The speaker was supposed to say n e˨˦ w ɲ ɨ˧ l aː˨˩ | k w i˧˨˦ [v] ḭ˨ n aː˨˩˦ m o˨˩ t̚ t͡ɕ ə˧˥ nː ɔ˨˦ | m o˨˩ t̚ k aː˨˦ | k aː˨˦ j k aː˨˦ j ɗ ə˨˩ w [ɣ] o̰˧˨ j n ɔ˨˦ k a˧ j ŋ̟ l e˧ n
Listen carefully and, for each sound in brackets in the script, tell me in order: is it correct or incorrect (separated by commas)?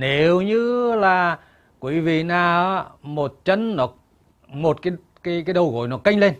correct, correct